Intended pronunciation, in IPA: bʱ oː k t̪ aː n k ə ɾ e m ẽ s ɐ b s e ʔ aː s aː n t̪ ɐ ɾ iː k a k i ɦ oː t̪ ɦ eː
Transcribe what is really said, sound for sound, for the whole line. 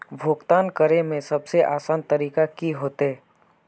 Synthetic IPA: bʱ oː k t̪ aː n k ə ɾ e m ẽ s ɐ b s e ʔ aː s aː n t̪ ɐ ɾ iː k a k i ɦ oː t̪ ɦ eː